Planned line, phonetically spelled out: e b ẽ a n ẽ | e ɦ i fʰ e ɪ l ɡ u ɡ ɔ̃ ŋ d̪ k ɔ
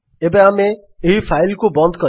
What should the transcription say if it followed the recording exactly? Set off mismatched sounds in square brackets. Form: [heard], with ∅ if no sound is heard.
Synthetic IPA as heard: e b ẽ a [m] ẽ | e ɦ i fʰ [a] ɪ l [k] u [b] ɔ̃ [n] d̪ k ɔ